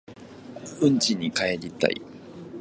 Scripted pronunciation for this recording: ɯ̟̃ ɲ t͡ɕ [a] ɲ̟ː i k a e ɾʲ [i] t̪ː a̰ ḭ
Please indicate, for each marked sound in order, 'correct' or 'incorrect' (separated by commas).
incorrect, correct